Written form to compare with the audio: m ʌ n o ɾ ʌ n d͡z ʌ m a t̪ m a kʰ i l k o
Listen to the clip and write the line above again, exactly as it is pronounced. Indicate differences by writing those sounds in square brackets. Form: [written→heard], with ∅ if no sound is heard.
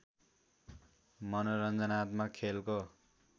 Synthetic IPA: m ʌ n o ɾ ʌ n d͡z ʌ [m→n] a t̪ m a kʰ [i→e] l k o